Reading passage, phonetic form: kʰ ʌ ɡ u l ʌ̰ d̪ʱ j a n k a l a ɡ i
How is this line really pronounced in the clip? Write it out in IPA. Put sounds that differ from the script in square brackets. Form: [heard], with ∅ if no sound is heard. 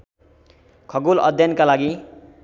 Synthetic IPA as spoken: kʰ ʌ ɡ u l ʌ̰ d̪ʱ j [ʌ] n k a l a ɡ i